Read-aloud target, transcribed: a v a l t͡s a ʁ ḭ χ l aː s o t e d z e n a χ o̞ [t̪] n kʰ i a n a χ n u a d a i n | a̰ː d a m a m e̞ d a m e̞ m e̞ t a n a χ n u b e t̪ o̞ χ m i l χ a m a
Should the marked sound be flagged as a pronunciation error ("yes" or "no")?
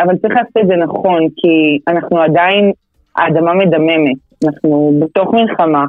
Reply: yes